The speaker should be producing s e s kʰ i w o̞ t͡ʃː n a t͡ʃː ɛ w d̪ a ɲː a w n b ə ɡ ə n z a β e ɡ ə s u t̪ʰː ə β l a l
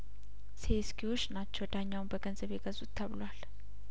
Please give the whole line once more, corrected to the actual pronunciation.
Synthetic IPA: s e s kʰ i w o̞ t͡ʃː n a t͡ʃː ɛ w d̪ a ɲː a w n b ə ɡ ə n z ə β e ɡ ə z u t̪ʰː ə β l a l